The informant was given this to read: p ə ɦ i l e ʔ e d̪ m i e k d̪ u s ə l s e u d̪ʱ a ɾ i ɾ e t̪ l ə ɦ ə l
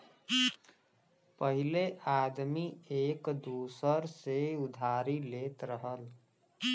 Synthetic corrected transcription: p ə ɦ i l e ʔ a d̪ m i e k d̪ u s ə ɾ s e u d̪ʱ a ɾ i l e t̪ ɾ ə ɦ ə l

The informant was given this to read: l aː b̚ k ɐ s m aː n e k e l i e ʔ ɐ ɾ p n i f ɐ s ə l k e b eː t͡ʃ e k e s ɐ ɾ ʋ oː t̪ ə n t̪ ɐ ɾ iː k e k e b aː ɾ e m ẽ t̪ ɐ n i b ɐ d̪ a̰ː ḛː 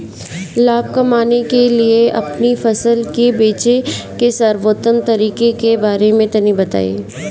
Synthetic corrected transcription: l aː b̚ k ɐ m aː n e k e l i e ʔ ɐ p n i f ɐ s ə l k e b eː t͡ʃ e k e s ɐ ɾ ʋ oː t̪ ə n t̪ ɐ ɾ iː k e k e b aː ɾ e m ẽ t̪ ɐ n i b ɐ t̪ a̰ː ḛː

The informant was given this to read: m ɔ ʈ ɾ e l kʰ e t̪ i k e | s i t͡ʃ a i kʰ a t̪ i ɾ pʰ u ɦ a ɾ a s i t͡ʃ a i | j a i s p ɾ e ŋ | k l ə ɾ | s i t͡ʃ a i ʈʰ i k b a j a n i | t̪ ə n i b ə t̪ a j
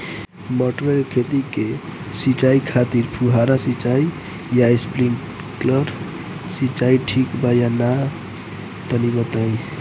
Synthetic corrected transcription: m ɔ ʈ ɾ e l kʰ e t̪ i k e | s i t͡ʃ a i kʰ a t̪ i ɾ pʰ u ɦ a ɾ a s i t͡ʃ a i | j a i s p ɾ i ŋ | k l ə ɾ | s i t͡ʃ a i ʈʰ i k b a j a n a | t̪ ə n i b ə t̪ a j

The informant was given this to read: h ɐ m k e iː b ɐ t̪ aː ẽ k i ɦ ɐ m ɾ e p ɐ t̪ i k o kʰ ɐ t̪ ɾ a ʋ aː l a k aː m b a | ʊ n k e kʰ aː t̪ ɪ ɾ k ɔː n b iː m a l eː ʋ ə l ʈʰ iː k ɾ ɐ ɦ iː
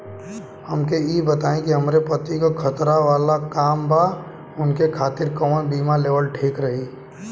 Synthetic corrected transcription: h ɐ m k e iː b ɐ t̪ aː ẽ k i ɦ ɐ m ɾ e p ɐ t̪ i k o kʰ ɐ t̪ ɾ a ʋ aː l a k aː m b a | ʊ n k e kʰ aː t̪ ɪ ɾ k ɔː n b iː m a l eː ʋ ə l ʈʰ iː k ɾ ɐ ɦ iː

